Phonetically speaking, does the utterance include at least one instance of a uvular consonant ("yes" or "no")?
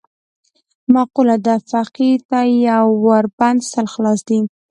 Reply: yes